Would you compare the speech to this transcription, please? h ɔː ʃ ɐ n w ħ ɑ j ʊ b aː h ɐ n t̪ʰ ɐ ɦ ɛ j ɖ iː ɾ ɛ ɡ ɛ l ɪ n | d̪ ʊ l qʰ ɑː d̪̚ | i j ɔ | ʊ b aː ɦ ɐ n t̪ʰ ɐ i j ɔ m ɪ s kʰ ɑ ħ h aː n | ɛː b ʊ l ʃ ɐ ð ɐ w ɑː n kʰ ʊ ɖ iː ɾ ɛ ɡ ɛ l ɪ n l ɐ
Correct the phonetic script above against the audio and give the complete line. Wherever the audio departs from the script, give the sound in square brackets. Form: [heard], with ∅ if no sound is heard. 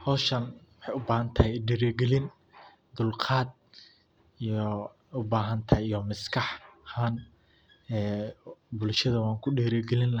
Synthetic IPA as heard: h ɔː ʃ ɐ n w ħ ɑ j ʊ b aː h ɐ n t̪ʰ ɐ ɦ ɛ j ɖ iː ɾ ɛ ɡ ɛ l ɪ n | d̪ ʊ l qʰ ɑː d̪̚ | i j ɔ | ʊ b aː ɦ ɐ n t̪ʰ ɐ i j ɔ m ɪ s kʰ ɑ ħ h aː n | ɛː b ʊ l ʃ ɐ ð ɐ w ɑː [ŋ] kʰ ʊ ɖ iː ɾ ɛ ɡ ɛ l ɪ n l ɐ